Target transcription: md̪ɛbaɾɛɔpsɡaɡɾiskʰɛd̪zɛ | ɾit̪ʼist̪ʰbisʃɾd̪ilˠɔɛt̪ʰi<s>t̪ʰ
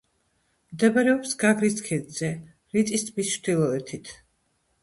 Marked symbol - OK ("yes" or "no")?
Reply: no